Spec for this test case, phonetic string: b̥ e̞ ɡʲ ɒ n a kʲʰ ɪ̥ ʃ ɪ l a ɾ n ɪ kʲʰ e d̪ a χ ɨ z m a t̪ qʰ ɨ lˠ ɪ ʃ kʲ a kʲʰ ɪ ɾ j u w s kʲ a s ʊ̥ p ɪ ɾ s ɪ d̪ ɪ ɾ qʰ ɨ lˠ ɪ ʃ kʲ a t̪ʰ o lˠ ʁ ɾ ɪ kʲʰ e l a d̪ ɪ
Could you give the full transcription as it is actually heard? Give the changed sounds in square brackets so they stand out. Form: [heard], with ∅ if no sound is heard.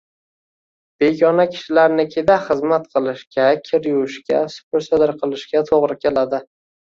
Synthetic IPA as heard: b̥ e̞ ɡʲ ɒ n a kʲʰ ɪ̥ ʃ ɪ l a ɾ n ɪ kʲʰ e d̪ a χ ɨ z m a t̪ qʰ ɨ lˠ ɪ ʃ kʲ a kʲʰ ɪ ɾ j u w [ʃ] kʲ a s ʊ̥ p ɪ ɾ s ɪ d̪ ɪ ɾ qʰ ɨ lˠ ɪ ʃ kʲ a t̪ʰ o [∅] ʁ ɾ ɪ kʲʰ e l a d̪ ɪ